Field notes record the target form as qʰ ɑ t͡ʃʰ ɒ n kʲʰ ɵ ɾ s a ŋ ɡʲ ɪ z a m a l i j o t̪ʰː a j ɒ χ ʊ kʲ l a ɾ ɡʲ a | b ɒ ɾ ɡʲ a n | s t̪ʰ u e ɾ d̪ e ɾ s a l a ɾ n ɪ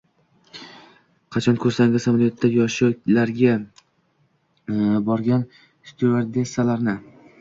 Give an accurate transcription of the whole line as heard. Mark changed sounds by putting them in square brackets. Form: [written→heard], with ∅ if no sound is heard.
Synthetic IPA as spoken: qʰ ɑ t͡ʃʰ ɒ n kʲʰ ɵ ɾ s a ŋ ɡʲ ɪ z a m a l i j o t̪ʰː a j ɒ [χ→ʃ] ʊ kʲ l a ɾ ɡʲ a | b ɒ ɾ ɡʲ a n | s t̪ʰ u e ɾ d̪ e [ɾ→∅] s a l a ɾ n ɪ